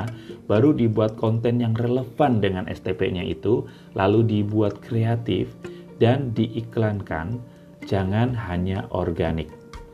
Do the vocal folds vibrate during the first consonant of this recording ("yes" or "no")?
yes